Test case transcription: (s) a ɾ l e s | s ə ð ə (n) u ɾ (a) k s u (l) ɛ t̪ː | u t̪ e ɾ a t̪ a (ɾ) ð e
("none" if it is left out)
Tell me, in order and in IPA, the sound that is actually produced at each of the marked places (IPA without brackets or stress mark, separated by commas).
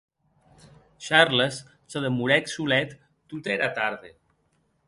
ʃ, m, ɛ, l, ɾ